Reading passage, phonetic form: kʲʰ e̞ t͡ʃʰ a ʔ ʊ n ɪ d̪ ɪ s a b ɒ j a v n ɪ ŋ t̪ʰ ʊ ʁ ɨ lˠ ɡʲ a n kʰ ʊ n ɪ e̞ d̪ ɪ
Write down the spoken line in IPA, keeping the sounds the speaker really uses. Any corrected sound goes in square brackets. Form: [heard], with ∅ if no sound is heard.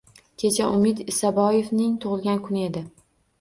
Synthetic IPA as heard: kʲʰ e̞ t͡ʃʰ a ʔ ʊ [m] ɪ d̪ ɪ s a b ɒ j [e] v n ɪ ŋ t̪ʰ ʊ ʁ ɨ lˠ ɡʲ a n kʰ ʊ n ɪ e̞ d̪ ɪ